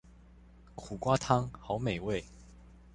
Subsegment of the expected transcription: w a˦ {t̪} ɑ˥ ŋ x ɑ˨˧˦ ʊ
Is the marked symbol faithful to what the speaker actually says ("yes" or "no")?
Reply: no